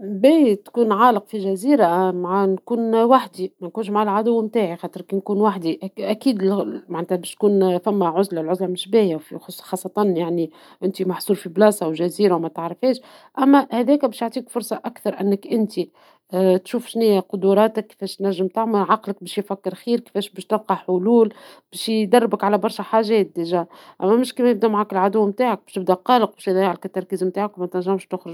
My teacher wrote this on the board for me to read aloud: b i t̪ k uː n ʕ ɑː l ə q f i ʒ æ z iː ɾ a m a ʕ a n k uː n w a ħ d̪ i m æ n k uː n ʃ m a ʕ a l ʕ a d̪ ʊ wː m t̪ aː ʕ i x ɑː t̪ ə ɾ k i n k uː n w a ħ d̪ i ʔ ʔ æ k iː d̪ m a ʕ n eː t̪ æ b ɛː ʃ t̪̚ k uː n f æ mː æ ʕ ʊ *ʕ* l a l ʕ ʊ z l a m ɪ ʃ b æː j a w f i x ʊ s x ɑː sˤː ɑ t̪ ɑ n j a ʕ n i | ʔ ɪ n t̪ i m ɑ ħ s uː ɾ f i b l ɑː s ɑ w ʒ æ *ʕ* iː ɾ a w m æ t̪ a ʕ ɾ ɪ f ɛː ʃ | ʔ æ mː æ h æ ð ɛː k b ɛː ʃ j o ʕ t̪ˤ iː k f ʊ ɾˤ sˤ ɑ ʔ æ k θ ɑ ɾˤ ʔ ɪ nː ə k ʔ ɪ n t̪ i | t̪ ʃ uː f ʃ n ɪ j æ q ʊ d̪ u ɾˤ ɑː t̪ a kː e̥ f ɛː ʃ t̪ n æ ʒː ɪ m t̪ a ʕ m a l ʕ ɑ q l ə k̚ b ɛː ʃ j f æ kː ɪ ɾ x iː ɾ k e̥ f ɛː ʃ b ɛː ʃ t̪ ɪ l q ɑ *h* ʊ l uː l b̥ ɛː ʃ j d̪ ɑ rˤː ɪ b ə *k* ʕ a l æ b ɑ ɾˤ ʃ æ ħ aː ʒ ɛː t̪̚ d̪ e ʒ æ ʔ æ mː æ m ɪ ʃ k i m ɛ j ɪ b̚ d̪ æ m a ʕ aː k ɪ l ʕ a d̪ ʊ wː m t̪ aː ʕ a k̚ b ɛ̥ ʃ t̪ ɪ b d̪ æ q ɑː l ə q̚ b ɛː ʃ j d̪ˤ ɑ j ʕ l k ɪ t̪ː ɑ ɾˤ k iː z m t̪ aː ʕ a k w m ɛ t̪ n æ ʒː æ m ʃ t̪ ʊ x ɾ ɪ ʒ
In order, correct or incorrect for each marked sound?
incorrect, incorrect, incorrect, correct

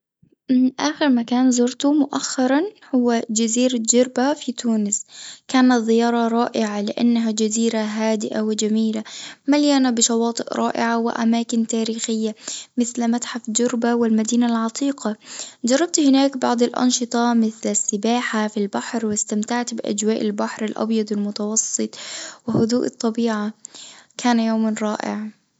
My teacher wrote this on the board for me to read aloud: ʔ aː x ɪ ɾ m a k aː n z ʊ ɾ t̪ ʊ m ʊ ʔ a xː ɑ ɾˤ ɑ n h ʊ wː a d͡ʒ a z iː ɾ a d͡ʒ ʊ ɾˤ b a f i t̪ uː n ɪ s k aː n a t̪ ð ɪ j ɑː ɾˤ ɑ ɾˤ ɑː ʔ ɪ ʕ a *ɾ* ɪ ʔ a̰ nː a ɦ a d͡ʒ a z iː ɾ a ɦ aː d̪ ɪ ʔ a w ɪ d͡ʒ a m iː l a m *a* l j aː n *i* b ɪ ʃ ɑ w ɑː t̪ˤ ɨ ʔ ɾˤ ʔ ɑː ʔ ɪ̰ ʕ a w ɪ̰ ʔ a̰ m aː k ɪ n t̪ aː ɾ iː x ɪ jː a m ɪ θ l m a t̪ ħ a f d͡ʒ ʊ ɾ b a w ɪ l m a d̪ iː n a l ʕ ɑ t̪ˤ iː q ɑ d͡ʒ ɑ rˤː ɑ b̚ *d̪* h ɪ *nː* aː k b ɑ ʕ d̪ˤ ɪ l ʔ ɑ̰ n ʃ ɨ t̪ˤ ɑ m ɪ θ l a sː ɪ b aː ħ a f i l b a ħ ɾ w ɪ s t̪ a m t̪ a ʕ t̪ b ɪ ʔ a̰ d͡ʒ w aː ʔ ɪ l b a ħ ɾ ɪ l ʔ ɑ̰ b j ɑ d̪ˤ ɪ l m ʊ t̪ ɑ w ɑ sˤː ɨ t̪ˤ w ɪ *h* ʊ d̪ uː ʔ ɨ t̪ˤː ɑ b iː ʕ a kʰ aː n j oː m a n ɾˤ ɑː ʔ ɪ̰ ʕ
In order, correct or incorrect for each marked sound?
incorrect, correct, incorrect, incorrect, incorrect, correct

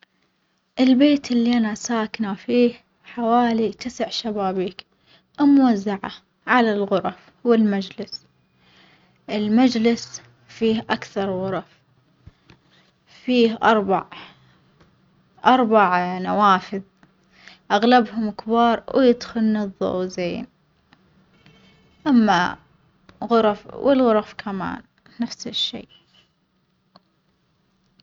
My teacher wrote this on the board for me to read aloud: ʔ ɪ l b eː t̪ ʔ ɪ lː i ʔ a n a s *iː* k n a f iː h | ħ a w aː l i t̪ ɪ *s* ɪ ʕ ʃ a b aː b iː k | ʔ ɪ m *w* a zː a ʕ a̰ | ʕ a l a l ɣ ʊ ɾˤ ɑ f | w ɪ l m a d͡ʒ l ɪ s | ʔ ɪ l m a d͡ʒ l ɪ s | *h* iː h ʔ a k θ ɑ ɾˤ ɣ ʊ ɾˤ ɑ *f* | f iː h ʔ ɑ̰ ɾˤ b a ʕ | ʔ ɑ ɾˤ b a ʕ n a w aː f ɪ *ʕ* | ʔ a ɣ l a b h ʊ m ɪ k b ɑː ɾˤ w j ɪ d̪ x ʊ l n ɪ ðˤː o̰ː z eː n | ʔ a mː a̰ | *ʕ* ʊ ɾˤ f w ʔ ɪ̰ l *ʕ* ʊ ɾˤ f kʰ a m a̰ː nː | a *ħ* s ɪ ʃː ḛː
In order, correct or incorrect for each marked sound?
incorrect, correct, correct, incorrect, correct, incorrect, incorrect, incorrect, incorrect

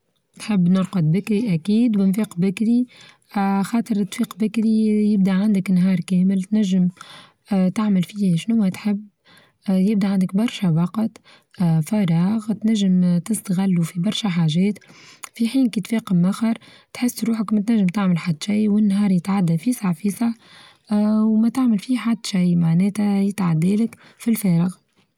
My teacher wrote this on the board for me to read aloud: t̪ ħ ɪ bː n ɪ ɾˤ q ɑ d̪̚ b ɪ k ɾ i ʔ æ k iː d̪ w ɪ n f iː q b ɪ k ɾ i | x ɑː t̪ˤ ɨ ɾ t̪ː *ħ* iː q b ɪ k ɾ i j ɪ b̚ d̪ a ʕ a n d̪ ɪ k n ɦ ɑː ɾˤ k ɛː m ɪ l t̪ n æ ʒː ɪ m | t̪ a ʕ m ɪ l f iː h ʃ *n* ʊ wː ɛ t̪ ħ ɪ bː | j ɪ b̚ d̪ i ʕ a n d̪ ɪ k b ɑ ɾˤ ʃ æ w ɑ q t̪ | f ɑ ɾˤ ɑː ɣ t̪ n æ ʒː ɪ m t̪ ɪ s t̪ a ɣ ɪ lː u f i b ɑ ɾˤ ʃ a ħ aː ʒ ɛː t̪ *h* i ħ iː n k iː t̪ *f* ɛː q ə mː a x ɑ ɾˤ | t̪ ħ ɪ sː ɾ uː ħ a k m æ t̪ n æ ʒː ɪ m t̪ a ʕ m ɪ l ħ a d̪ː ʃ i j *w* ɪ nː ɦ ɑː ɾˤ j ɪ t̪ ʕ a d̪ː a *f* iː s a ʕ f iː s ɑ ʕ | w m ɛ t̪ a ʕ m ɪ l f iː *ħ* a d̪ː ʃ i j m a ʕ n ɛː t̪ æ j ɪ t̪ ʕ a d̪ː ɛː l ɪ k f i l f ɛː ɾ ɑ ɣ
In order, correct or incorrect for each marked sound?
incorrect, correct, incorrect, correct, correct, correct, correct

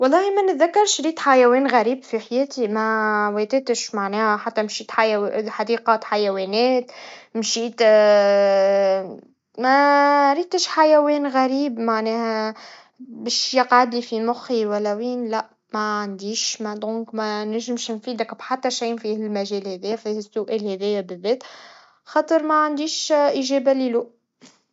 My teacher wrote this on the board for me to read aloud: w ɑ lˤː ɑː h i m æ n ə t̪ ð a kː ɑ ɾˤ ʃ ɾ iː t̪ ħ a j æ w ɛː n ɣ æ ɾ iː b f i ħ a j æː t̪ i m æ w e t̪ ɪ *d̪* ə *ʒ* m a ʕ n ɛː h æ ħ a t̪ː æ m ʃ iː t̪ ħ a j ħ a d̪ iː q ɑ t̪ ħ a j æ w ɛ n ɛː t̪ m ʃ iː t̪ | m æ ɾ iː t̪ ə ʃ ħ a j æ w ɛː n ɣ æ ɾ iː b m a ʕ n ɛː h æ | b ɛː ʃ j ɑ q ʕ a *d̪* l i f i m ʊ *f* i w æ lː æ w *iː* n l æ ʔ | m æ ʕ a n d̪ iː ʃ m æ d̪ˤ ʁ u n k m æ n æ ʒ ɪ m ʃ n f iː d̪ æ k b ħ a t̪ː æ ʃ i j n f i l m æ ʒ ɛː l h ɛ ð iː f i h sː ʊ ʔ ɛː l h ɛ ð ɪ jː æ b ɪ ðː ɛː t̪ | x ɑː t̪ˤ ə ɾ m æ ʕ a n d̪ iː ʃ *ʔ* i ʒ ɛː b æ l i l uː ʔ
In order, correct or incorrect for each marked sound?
incorrect, incorrect, correct, incorrect, correct, correct

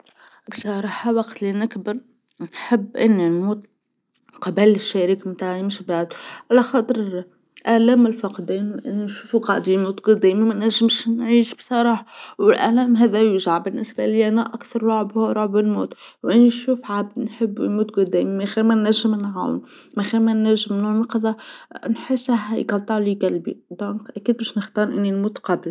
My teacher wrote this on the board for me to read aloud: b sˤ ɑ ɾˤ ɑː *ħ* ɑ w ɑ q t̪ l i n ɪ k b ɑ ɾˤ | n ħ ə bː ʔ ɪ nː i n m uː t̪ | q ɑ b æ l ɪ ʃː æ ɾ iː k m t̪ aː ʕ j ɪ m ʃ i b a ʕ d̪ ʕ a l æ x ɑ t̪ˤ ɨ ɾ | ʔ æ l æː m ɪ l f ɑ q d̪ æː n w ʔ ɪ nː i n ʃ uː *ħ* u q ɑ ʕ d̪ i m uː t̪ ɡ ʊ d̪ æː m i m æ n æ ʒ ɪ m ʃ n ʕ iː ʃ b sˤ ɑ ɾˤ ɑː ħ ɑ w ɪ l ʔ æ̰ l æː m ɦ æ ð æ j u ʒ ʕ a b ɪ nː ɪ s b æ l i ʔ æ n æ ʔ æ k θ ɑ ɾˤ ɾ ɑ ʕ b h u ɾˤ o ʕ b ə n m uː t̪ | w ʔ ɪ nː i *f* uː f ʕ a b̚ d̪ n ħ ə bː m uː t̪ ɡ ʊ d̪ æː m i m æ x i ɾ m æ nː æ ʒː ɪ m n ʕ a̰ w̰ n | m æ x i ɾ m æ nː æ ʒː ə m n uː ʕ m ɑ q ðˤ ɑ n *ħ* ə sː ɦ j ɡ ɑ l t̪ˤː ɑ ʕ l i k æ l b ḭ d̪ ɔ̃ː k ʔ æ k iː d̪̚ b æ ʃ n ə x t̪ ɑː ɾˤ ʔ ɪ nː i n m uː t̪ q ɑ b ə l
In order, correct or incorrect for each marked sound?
correct, incorrect, incorrect, correct

